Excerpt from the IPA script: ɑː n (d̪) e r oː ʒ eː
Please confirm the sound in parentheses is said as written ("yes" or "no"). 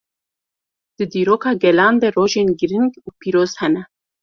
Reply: yes